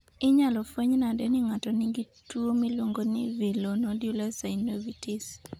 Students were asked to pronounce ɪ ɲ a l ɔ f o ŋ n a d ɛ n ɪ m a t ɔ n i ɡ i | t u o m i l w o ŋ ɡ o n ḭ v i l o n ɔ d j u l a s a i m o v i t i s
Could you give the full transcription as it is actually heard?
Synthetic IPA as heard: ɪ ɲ a l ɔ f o ɲ n a d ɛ n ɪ ŋ a t ɔ n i ɡ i | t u o m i l w o ŋ ɡ o n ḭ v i l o n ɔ d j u l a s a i n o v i t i s